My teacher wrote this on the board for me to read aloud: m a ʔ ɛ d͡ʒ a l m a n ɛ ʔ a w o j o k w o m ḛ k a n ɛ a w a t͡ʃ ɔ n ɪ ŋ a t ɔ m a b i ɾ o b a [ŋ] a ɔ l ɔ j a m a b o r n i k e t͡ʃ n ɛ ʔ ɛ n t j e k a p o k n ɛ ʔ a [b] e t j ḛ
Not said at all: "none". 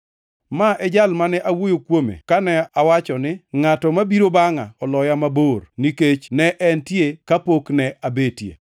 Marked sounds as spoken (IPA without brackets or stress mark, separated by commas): ŋ, b